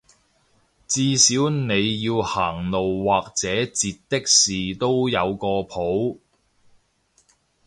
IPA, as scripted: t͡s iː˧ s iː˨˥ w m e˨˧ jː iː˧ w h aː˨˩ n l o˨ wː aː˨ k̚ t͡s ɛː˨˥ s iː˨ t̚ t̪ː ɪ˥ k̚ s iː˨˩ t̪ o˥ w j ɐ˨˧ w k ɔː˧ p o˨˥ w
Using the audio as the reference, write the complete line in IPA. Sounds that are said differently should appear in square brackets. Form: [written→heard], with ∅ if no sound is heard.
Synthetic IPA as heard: t͡s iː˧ s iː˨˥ w [m→n] e˨˧ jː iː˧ w h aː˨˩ [n→ŋ] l o˨ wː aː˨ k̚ t͡s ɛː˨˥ [s→t͡s] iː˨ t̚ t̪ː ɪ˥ k̚ s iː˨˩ t̪ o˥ w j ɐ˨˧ w k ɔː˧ [p→pʰ] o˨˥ w